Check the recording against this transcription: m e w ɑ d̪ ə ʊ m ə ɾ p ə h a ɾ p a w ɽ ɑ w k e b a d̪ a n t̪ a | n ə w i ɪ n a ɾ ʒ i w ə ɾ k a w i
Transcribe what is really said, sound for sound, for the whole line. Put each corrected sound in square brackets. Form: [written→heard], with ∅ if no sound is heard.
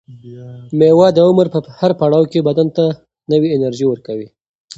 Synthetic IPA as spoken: m e w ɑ d̪ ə ʊ m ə ɾ p ə h a ɾ p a [w→∅] ɽ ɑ w k e b a d̪ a n t̪ a | n ə w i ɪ n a ɾ ʒ i w ə ɾ k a w i